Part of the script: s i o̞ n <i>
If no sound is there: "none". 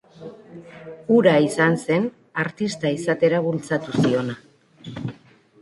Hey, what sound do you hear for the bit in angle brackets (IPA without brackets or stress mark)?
a